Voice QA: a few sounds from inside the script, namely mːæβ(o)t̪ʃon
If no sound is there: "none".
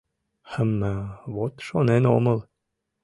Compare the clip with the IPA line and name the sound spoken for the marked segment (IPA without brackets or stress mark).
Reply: o